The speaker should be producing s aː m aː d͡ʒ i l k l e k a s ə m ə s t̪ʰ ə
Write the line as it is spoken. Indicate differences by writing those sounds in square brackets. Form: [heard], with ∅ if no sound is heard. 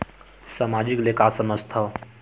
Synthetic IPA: s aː m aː d͡ʒ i [∅] k l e k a s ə m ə s t̪ʰ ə